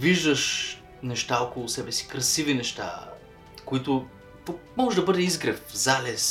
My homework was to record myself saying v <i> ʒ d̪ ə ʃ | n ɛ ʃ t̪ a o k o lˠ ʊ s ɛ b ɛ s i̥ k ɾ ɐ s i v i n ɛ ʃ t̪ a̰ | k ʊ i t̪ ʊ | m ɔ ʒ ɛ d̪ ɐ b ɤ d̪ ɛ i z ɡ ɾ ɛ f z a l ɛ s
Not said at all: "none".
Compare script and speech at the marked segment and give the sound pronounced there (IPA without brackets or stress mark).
i